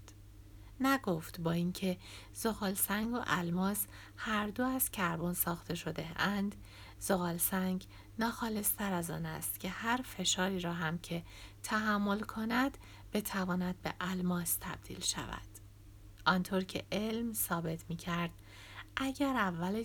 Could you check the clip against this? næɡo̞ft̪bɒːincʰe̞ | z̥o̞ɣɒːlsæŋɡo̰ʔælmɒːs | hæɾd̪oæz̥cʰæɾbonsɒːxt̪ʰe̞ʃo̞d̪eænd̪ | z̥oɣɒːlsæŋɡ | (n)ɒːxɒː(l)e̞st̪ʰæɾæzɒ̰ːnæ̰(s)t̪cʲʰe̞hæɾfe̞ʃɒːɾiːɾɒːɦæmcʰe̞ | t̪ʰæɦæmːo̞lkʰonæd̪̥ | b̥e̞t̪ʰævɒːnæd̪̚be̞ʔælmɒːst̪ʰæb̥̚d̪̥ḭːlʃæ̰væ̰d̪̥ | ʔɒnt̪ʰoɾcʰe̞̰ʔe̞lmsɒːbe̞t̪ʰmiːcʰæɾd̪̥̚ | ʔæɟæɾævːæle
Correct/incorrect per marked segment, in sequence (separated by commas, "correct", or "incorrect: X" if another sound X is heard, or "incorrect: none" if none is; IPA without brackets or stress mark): correct, correct, correct